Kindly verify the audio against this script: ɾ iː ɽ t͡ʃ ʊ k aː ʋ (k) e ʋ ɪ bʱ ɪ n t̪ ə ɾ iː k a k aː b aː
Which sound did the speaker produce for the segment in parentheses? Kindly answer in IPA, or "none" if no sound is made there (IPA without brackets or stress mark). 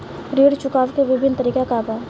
k